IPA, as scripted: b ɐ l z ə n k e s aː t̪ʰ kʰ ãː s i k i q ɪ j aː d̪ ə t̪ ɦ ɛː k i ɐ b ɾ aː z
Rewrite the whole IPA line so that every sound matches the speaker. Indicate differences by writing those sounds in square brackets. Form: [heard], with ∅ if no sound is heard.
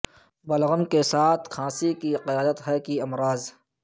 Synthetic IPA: b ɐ l [ɣ] ə [m] k e s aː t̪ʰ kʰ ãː s i k i q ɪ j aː d̪ ə t̪ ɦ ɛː k i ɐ [m] ɾ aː z